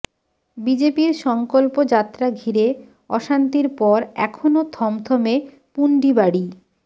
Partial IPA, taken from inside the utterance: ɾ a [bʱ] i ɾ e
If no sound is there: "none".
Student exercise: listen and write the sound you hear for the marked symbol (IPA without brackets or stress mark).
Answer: ɡʱ